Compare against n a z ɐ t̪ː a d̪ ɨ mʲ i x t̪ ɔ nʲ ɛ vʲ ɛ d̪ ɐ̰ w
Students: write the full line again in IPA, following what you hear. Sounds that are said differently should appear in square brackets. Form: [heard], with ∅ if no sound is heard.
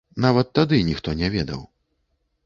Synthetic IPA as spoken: n a [v] ɐ t̪ː a d̪ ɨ [nʲ] i x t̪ ɔ nʲ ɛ vʲ ɛ d̪ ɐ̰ w